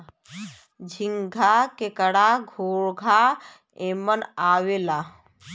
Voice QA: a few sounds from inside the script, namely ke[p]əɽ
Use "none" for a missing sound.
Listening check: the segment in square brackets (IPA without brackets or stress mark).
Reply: k